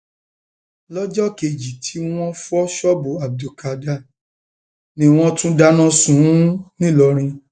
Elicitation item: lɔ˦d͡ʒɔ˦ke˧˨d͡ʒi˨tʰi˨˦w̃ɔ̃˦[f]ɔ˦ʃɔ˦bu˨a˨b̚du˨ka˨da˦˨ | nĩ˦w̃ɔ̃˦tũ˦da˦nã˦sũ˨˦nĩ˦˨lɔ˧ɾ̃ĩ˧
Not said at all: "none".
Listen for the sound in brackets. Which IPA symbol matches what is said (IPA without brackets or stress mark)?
f